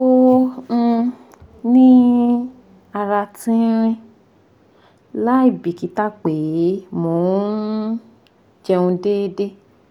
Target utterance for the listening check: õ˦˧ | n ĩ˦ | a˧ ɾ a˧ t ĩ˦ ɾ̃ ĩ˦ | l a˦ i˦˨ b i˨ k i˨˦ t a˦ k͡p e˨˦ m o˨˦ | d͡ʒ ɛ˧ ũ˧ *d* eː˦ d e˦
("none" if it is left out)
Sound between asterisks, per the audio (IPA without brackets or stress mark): d